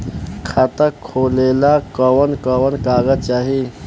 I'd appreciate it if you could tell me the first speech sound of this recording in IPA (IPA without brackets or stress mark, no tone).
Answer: kʰ